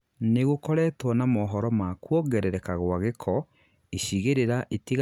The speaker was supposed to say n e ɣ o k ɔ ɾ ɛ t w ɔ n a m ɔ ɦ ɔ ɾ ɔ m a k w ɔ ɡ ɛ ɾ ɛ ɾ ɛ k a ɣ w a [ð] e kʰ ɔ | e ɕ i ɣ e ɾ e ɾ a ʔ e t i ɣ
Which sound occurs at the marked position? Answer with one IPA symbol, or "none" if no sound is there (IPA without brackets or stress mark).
ɣ